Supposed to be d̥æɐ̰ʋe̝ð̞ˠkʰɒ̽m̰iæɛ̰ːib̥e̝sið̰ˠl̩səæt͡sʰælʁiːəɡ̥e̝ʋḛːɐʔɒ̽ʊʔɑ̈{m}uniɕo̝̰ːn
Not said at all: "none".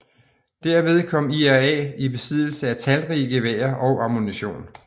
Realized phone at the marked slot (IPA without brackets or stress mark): m